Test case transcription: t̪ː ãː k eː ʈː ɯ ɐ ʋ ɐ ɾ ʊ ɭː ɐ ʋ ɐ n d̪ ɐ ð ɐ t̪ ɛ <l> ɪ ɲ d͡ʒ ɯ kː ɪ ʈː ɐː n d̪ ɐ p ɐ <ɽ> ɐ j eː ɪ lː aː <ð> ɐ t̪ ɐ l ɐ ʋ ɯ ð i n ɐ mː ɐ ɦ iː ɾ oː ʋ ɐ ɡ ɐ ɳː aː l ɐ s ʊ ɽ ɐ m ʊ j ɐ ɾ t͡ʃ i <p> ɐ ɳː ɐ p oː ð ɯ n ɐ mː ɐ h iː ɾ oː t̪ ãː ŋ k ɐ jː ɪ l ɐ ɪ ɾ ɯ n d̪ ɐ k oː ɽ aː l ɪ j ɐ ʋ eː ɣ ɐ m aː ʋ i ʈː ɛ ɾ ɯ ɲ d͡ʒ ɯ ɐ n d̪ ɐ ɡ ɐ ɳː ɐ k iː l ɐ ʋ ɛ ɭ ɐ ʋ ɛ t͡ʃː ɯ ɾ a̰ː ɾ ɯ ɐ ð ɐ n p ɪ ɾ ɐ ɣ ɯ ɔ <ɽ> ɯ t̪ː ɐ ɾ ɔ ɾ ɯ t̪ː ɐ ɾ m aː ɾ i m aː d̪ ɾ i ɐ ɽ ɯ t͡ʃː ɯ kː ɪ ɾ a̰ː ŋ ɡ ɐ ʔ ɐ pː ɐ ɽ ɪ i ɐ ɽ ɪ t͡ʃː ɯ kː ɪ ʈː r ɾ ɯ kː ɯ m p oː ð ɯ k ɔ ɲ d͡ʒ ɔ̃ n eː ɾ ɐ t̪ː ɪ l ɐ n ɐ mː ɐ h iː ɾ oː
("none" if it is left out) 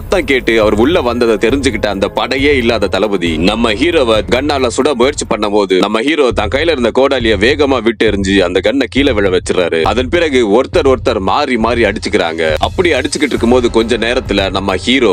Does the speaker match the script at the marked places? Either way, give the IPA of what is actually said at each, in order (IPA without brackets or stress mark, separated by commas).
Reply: ɾ, ɽ, ð, p, ɾ